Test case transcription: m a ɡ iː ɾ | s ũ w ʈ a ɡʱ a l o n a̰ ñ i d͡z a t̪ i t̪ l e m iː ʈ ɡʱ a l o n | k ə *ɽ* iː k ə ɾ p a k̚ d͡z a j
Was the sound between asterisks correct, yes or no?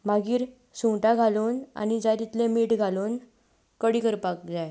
yes